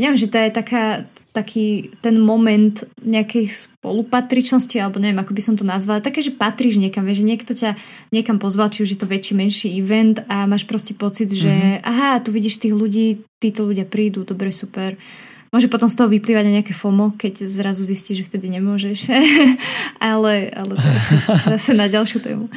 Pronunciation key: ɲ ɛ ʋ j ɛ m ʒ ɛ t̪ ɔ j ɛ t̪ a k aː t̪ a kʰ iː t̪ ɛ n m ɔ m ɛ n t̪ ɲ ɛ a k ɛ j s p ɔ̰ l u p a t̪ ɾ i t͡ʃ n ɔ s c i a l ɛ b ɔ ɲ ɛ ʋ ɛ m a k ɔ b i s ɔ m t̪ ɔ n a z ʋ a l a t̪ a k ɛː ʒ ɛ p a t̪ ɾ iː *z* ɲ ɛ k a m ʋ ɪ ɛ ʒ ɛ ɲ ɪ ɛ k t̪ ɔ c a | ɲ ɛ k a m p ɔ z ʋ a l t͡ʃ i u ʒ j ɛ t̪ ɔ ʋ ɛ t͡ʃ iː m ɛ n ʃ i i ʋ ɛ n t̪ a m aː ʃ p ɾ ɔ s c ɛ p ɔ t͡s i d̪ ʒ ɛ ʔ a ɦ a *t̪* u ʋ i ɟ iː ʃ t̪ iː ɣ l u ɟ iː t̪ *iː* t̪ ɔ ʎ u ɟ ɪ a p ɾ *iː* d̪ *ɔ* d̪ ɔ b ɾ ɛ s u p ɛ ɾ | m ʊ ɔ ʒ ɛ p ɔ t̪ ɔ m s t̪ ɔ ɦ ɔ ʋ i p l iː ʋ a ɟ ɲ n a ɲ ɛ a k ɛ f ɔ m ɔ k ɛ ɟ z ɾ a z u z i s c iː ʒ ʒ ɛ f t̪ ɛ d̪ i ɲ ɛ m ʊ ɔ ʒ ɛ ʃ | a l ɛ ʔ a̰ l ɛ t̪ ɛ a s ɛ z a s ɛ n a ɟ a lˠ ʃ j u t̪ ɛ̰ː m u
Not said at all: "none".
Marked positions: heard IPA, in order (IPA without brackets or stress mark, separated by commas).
ʒ, t̪, iː, iː, u